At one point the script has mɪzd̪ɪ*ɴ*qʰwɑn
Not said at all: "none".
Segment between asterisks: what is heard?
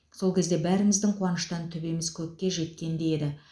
ŋ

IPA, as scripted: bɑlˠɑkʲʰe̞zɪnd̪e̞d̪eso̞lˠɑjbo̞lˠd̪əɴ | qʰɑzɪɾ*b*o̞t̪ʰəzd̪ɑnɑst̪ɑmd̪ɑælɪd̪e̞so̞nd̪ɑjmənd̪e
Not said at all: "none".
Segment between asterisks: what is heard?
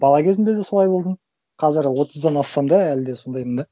w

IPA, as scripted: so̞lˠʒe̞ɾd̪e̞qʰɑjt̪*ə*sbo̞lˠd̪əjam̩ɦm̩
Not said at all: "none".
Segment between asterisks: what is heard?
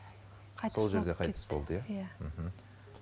ə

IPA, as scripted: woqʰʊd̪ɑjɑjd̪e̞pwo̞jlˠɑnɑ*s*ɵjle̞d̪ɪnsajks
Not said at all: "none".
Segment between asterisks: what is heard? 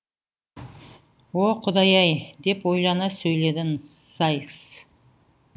s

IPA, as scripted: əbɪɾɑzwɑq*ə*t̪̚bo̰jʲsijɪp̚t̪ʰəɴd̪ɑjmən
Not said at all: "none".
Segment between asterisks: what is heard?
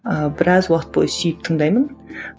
ə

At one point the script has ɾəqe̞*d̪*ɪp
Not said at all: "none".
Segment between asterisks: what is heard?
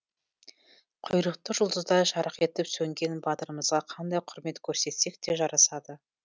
t̪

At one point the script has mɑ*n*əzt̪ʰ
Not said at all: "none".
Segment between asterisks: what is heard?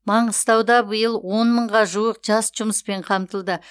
ɴ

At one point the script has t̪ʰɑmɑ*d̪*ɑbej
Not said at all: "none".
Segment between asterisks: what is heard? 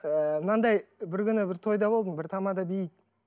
d̪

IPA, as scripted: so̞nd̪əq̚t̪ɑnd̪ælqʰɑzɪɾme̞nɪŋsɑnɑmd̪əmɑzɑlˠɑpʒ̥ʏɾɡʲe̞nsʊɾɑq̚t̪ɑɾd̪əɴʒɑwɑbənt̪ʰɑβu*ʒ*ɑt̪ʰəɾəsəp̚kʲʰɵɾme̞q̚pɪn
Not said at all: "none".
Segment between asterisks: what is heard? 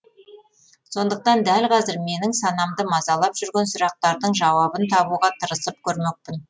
ʁ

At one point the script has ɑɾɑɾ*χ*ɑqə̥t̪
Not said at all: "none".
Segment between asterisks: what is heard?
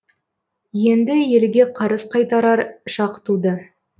ʃ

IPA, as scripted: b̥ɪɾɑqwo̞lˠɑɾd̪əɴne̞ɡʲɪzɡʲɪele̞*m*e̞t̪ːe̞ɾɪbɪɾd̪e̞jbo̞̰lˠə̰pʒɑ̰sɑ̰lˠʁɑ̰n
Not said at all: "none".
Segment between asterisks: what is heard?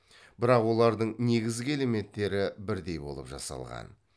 m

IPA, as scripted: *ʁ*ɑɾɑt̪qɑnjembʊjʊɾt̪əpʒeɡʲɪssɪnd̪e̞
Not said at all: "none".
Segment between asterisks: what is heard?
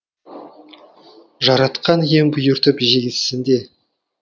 ʒ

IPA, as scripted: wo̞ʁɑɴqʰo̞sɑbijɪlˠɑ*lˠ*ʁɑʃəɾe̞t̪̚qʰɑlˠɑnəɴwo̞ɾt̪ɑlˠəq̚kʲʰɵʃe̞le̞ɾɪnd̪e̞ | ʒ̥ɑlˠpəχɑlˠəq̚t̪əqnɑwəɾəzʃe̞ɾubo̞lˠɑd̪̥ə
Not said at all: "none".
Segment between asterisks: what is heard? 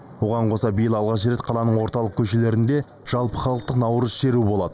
lˠ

